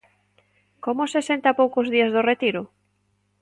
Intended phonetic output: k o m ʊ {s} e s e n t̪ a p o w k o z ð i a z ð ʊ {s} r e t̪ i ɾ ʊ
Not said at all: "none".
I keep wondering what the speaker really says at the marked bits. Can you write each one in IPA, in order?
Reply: s, none

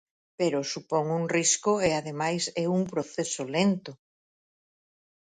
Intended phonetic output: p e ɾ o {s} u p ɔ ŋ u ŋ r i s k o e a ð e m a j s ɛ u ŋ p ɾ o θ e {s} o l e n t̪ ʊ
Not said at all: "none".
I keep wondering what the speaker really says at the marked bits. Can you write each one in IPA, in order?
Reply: s, s

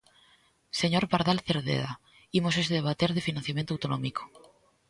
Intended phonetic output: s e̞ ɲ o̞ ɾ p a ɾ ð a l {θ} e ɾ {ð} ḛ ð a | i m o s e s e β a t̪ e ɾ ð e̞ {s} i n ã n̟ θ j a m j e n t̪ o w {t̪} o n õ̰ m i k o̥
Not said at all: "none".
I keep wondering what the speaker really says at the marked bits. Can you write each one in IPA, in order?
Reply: θ, ð, f, t̪

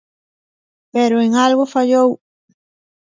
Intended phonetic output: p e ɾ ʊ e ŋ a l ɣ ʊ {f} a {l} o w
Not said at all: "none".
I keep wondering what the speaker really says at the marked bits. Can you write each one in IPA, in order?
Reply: f, ʎ

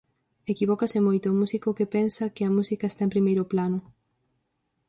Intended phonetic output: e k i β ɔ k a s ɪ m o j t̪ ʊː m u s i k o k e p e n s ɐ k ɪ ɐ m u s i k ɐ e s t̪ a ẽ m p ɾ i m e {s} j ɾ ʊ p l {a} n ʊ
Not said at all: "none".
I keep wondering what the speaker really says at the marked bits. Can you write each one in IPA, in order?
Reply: none, a

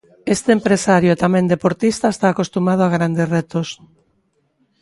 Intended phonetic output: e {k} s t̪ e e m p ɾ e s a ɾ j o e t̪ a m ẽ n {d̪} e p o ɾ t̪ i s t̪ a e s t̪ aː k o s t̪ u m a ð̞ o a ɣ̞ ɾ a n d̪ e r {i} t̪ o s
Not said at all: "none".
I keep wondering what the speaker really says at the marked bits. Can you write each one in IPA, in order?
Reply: none, d̪, e

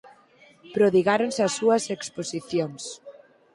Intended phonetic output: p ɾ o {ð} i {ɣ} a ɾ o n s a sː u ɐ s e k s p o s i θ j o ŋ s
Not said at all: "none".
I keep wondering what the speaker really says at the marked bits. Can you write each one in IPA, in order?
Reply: ð, ɣ

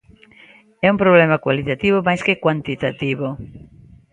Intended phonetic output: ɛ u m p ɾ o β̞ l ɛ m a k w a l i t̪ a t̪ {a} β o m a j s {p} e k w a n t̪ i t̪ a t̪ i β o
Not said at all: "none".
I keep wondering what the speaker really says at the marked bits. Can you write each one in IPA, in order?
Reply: i, k

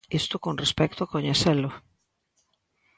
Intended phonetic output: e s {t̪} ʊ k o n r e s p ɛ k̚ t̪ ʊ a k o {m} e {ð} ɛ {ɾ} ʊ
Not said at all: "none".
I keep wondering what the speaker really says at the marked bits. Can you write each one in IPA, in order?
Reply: t̪, ɲ, θ, l

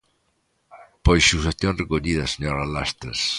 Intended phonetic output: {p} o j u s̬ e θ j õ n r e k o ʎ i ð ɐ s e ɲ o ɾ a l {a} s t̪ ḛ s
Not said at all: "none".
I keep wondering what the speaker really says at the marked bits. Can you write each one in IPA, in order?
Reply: p, a

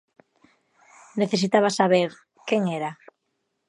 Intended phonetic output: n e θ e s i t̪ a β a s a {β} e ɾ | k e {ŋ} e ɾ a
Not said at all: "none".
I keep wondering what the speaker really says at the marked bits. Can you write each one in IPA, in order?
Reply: β, ŋ

